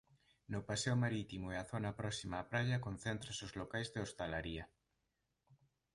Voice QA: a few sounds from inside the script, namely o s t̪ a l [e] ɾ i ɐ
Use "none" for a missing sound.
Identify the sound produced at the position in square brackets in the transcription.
a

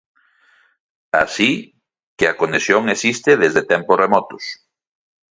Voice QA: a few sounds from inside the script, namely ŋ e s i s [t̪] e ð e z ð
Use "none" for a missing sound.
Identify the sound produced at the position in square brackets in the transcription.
t̪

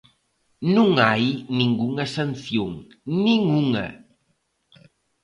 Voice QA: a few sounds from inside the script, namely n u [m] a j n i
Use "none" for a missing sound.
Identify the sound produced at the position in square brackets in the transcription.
ŋ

